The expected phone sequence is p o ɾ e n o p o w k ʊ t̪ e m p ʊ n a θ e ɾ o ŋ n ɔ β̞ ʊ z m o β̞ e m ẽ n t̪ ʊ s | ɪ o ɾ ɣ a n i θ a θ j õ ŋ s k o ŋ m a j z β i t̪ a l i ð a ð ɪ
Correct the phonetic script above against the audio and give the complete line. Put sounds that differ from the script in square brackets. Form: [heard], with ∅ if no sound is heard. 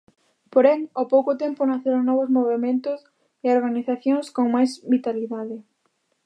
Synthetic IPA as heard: p o ɾ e [ŋ] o p o w k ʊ t̪ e m p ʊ n a θ e ɾ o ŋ n ɔ β̞ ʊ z m o β̞ e m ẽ n t̪ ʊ s | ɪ o ɾ ɣ a n i θ a θ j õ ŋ s k o ŋ m a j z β i t̪ a l i ð a ð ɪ